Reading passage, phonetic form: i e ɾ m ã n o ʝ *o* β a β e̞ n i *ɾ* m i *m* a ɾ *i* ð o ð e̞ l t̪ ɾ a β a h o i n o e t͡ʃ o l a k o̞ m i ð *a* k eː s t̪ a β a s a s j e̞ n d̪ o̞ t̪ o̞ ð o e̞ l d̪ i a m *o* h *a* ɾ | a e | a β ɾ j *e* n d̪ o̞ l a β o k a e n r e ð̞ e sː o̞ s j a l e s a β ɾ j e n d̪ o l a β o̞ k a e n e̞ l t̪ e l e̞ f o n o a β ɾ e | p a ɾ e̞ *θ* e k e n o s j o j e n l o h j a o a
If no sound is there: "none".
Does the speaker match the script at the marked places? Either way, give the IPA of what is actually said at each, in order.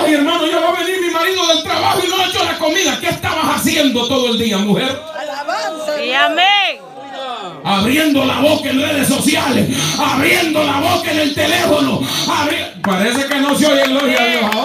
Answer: o, ɾ, m, i, a, u, e, e, s

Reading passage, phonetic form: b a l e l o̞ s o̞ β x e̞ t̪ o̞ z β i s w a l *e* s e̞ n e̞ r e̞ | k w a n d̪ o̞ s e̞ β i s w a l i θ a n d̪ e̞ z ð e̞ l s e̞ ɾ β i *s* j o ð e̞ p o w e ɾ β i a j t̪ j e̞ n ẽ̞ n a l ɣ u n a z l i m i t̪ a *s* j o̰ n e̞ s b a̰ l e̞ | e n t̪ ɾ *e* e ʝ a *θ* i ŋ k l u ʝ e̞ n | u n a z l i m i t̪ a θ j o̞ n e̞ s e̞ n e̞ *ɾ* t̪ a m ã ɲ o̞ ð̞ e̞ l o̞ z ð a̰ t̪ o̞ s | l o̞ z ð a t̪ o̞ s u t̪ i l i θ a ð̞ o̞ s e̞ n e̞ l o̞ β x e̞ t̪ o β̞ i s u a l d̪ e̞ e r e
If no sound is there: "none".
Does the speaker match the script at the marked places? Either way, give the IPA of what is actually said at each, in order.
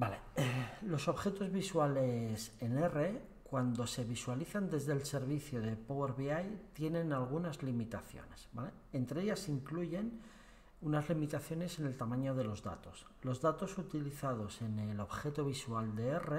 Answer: e, θ, θ, e, s, l

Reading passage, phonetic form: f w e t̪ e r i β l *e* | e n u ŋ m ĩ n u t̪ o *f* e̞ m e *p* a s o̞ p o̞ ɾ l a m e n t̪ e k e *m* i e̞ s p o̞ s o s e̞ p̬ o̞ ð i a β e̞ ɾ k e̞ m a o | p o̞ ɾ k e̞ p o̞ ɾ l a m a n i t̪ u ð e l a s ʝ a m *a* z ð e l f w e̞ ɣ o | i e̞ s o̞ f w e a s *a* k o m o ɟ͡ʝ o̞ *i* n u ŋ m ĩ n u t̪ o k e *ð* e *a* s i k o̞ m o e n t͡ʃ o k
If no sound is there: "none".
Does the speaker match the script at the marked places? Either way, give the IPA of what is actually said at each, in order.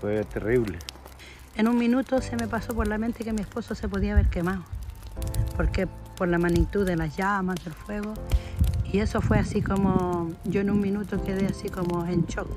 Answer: e, s, p, m, a, i, e, ð, a

